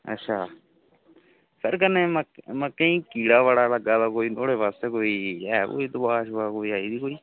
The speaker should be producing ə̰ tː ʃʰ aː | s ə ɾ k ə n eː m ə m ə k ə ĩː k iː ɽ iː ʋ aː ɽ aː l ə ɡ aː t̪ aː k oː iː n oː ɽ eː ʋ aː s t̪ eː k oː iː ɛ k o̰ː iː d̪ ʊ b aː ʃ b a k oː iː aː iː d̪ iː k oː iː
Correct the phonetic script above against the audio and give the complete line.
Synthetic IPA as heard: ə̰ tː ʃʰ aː | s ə ɾ k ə n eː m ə m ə k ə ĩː k iː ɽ aː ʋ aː ɽ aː l ə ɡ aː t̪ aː k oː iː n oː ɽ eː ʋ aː s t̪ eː k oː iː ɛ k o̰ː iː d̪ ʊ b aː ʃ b a k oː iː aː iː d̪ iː k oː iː